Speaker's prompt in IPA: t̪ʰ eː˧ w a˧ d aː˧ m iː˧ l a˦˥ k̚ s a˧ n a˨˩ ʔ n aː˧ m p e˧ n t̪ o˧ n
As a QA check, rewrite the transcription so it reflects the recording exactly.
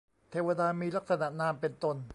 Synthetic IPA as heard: t̪ʰ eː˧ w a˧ d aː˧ m iː˧ l a˦˥ k̚ s a˧ n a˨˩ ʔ n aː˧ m p e˧ n t̪ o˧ n